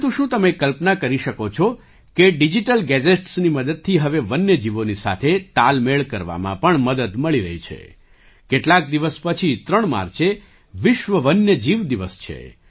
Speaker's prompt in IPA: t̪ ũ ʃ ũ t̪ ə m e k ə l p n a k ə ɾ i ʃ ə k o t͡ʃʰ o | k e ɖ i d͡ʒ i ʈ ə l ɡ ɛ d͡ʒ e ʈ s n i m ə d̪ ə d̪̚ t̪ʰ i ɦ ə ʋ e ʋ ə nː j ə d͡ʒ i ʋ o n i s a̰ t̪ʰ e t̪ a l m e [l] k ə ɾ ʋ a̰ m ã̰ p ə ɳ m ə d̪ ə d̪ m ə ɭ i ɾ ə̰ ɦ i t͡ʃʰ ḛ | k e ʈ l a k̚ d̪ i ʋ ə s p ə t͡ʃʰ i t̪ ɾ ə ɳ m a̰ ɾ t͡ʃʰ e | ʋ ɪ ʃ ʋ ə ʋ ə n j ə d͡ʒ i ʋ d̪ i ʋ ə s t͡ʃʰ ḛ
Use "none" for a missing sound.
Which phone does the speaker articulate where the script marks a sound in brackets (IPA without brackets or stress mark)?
ɭ